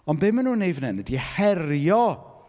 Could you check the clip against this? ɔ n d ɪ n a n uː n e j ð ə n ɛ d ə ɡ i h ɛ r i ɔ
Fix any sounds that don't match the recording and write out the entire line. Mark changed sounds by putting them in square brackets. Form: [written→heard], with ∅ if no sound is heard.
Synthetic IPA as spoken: ɔ n [d→b] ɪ [n→m] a n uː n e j [ð→v] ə n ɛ [d→n] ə [ɡ→d] i h ɛ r [i→j] ɔ